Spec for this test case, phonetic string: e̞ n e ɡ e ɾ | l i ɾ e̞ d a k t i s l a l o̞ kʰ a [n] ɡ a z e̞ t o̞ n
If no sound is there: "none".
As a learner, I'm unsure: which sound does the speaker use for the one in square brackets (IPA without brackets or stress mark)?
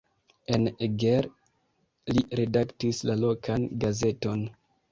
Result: n